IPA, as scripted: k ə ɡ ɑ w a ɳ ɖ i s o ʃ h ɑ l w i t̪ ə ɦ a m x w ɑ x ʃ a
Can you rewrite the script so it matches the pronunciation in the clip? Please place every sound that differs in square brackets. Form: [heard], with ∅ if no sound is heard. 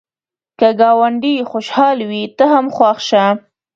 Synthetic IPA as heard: k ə ɡ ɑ w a ɳ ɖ i [x] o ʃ h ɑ l w i t̪ ə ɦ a m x w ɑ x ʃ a